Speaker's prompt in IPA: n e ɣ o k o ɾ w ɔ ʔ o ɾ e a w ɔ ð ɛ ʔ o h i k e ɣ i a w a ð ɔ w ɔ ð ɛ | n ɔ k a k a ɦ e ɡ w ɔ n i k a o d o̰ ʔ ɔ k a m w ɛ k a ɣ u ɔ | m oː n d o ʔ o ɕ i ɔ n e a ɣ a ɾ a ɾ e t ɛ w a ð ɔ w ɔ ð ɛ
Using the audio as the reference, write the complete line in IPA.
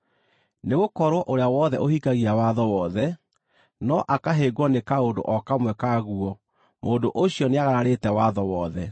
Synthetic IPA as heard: n e ɣ o k ɔ ɾ w ɔ ʔ o ɾ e a w ɔ ð ɛ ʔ o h i k a ɣ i a w a ð ɔ w ɔ ð ɛ | n ɔ ʔ a k a ɦ e ɡ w ɔ n e k a o d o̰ ʔ ɔ k a m w ɛ k a ɣ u ɔ | m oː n d o ʔ o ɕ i ɔ n e a ɣ a ɾ a ɾ e t ɛ w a ð ɔ w ɔ ð ɛ